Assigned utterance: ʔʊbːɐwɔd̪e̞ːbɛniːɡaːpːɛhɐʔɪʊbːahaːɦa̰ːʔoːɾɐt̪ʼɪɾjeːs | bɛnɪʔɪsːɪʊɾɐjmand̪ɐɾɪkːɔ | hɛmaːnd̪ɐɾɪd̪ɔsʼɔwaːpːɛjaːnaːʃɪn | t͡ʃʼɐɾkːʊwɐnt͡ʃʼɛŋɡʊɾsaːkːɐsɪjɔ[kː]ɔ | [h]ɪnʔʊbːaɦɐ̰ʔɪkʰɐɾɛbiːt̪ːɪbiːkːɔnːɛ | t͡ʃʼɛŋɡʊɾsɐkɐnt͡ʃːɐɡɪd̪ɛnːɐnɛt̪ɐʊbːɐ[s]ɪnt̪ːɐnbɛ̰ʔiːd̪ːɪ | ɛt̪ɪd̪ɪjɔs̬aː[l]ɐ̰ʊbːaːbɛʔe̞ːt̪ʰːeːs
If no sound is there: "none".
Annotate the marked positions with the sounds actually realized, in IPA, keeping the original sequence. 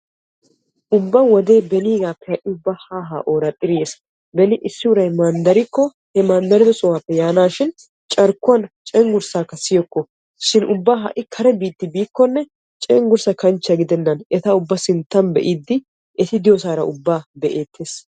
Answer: kː, ʃ, s, ɾ

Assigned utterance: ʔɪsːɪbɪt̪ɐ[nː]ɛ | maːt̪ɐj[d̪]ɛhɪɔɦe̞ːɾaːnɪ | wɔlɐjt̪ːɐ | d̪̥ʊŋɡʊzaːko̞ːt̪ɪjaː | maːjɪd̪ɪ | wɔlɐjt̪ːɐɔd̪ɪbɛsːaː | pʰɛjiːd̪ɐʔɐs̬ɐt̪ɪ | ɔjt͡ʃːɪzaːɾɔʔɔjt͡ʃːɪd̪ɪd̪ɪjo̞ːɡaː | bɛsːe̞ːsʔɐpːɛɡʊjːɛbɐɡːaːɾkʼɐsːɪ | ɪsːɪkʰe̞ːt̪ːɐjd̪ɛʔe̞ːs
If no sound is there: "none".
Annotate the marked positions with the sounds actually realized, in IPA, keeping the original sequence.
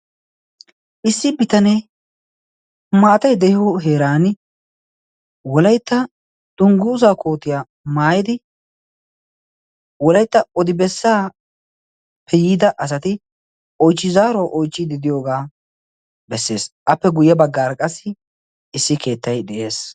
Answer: n, d̪

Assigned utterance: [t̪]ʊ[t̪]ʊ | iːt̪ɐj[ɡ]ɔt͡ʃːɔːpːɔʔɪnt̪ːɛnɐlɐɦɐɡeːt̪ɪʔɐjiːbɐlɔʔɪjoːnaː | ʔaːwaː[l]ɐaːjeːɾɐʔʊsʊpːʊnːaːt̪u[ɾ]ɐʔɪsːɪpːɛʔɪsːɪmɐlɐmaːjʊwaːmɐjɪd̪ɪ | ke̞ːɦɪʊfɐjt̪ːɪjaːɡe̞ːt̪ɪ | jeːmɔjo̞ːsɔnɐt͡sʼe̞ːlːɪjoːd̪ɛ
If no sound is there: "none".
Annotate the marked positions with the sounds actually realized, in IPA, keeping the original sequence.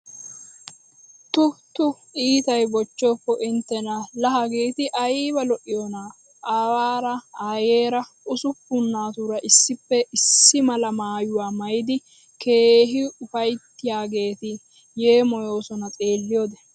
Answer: t̪, t̪, b, ɾ, ɾ

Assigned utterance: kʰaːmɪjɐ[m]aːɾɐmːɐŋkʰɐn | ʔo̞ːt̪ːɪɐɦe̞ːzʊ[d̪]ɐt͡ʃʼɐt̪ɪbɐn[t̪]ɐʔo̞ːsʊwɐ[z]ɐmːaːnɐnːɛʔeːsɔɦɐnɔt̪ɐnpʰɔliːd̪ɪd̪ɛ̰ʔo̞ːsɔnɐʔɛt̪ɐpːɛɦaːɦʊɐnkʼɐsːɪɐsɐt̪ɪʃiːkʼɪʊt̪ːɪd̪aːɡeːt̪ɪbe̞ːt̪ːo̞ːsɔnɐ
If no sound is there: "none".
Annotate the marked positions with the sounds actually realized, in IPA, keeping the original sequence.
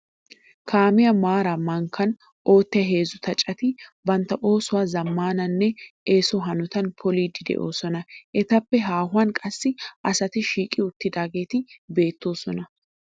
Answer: m, t̪, t̪, z

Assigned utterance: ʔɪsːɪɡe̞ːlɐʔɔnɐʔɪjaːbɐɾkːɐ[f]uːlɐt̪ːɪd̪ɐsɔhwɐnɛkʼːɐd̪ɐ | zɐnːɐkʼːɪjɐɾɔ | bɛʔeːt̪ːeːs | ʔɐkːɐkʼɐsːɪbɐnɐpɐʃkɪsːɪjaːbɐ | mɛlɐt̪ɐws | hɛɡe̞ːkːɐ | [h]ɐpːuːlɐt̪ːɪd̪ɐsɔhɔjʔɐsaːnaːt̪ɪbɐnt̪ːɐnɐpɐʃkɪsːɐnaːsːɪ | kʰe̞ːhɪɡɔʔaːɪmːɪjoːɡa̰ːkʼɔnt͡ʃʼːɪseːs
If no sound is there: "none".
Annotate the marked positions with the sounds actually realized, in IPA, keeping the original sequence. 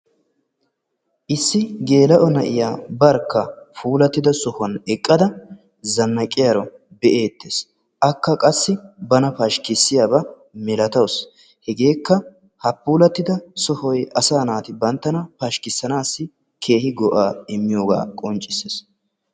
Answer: f, h

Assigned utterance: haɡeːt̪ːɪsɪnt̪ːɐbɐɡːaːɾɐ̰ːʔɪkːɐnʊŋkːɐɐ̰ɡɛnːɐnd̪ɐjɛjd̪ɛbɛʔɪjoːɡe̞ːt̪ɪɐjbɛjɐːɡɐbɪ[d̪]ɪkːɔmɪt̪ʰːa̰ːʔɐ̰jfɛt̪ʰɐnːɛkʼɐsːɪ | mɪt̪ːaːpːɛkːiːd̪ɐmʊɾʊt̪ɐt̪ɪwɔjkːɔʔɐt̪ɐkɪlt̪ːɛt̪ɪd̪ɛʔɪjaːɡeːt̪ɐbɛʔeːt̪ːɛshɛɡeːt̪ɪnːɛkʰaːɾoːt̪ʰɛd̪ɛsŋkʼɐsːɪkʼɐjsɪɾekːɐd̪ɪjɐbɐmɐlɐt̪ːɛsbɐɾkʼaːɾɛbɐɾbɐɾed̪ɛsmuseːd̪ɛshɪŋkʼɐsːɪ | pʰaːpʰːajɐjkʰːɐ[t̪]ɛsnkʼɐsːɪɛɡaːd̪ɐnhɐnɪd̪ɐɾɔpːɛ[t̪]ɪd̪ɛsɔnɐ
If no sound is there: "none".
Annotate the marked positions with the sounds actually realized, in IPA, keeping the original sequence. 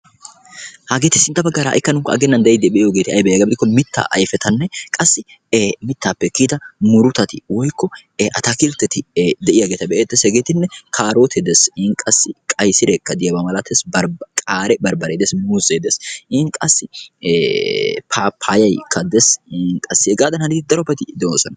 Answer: d̪, d̪, t̪

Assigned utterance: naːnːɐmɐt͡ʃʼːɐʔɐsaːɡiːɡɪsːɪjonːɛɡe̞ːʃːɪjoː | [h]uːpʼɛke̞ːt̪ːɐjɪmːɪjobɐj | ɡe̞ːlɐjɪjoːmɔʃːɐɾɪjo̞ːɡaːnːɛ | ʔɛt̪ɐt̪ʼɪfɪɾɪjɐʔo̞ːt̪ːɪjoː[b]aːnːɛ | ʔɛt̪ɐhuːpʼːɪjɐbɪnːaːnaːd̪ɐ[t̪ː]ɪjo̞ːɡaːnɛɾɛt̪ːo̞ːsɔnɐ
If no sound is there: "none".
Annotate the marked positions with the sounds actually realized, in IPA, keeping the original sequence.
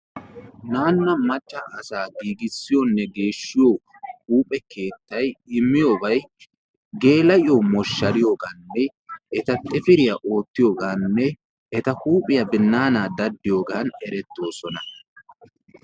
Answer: h, ɡ, d̪ː

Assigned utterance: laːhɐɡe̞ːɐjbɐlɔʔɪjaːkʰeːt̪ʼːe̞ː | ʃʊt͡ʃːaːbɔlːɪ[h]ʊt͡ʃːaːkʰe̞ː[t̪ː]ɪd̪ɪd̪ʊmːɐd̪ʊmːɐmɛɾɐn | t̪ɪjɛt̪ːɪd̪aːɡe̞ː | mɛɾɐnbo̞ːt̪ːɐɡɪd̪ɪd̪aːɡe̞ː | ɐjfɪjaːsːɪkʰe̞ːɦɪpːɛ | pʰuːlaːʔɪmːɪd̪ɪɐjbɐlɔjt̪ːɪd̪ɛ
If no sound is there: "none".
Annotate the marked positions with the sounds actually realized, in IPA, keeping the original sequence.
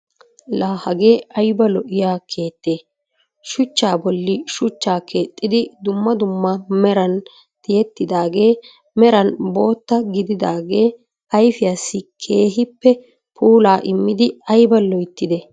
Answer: ʃ, t̪ʼː

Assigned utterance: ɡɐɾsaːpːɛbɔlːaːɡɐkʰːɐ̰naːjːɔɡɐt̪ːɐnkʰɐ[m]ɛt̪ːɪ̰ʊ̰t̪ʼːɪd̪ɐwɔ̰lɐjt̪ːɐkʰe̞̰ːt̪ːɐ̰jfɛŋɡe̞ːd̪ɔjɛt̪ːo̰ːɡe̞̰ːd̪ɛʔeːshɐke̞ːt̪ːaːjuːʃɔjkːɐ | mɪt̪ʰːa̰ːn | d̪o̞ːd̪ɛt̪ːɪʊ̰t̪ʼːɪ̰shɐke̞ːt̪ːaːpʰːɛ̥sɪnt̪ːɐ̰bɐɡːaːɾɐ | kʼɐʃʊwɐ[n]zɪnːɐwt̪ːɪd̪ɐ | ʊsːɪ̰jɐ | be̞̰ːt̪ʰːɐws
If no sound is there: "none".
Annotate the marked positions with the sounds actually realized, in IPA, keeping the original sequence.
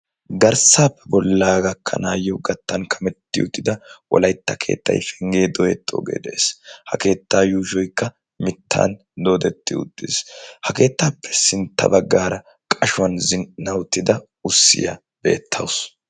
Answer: m, n

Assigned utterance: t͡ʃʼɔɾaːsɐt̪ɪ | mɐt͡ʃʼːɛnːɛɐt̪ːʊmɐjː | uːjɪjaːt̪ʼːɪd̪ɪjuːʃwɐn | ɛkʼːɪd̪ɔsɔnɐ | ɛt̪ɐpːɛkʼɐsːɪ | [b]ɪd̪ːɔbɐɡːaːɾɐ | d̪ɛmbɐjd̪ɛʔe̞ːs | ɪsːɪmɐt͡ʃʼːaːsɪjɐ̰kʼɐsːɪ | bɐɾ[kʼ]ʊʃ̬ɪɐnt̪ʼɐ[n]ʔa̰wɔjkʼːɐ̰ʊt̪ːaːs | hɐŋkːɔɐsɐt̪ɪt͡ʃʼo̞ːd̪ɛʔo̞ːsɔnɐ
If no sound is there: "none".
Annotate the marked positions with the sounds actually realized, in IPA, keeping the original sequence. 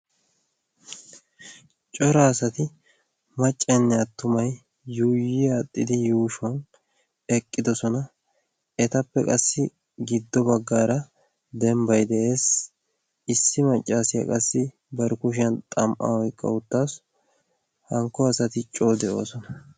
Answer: ɡ, k, m

